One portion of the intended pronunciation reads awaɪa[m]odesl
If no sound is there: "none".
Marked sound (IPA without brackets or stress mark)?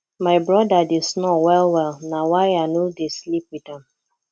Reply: n